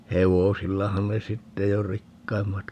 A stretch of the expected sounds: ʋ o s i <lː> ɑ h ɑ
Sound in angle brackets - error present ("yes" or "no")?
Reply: no